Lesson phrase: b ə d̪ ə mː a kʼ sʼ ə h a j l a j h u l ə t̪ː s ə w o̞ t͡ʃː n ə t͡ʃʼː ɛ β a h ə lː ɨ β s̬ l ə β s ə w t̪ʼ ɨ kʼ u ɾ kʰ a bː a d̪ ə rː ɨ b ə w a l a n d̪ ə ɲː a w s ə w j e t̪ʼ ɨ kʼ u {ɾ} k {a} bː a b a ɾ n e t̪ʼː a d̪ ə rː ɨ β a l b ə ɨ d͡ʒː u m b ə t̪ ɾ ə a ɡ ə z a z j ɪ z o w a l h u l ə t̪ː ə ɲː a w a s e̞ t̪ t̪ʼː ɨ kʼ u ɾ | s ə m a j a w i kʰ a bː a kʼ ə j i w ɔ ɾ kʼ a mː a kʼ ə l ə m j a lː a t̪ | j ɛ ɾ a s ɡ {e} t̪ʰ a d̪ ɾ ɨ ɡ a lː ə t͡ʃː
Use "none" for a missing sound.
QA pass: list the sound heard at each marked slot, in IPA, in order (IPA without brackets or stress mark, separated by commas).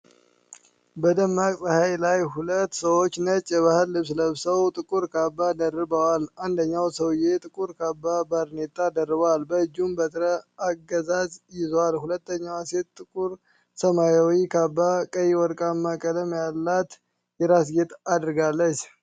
ɾ, a, e